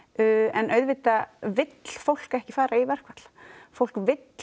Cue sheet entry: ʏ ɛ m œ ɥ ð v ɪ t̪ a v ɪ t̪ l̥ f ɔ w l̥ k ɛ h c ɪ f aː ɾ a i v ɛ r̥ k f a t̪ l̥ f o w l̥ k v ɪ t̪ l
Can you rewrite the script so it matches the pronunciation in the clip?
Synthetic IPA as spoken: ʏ ɛ n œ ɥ ð v ɪ t̪ a v ɪ t̪ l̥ f o w l̥ k ɛ h c ɪ f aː ɾ a i v ɛ r̥ k v a t̪ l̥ f o w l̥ k v ɪ t̪ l